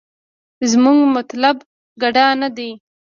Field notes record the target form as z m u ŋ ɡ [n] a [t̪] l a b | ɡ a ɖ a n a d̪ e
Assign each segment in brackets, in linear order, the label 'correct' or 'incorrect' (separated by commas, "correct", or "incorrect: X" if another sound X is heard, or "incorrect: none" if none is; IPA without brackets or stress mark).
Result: incorrect: m, correct